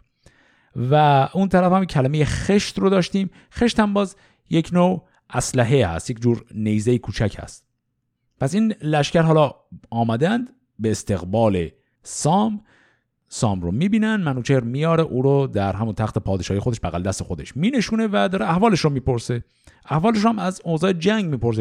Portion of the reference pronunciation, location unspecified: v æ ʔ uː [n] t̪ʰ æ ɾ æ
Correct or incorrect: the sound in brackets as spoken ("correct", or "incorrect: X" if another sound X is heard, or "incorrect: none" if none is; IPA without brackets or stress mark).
correct